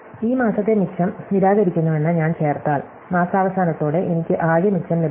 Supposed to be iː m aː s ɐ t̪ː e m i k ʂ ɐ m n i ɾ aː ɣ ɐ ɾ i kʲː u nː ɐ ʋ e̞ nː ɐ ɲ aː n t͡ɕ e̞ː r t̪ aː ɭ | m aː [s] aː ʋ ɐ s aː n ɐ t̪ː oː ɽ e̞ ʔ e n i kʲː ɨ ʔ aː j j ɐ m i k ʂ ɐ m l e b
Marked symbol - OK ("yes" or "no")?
yes